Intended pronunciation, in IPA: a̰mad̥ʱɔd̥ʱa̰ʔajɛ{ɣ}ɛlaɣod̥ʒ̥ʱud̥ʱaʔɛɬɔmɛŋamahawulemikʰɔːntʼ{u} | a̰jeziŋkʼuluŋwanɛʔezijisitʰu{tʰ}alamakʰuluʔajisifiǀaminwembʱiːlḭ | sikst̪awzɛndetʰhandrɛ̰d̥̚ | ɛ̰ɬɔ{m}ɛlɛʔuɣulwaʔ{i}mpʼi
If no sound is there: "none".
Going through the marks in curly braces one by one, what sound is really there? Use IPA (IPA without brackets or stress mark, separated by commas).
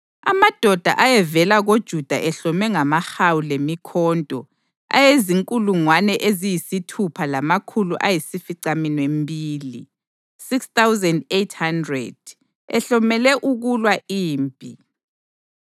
v, ɔ, pʰ, m, iː